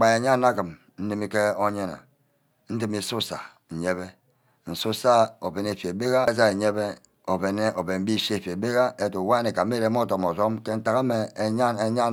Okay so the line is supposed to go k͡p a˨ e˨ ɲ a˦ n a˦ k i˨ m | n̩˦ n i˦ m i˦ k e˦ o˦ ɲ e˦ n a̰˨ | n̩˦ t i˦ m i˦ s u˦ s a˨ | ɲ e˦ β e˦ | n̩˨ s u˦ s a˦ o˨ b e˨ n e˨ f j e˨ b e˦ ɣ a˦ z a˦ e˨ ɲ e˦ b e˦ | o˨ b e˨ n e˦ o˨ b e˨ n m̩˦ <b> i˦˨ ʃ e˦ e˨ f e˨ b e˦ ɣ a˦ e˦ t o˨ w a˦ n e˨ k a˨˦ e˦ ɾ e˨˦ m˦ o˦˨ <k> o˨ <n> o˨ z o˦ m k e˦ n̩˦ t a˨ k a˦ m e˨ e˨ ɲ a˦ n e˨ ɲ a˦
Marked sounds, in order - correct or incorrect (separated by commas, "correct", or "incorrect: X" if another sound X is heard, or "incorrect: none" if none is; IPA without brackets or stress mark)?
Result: correct, incorrect: t, incorrect: m